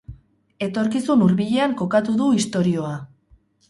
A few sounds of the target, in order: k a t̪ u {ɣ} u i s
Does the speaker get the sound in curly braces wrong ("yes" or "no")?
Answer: yes